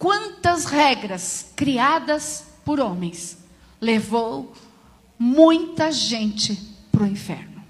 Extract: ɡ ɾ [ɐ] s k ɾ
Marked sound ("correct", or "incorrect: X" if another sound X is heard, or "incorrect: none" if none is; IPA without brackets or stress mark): correct